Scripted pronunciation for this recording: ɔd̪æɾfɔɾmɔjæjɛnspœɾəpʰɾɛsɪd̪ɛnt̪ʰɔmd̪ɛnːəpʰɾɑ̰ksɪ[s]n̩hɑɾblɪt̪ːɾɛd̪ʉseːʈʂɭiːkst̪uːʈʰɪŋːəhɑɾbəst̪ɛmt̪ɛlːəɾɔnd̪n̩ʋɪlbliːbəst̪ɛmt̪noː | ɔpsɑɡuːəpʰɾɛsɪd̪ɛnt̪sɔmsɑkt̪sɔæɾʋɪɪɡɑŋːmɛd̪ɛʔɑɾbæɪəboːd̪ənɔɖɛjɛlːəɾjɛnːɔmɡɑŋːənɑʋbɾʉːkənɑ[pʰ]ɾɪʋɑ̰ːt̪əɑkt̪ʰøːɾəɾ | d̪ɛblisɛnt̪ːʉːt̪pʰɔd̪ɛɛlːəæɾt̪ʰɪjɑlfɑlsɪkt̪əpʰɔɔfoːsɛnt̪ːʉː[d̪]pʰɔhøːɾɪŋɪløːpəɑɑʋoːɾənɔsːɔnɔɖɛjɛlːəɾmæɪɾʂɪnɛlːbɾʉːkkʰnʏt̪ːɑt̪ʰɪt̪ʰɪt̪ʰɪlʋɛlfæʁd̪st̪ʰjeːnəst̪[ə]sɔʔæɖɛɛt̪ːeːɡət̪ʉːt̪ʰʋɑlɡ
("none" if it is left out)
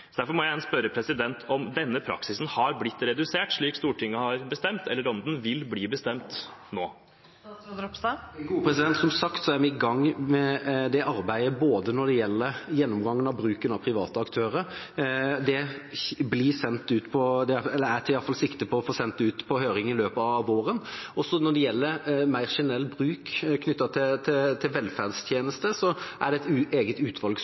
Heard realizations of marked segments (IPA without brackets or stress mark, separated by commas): s, pʰ, t̪, ə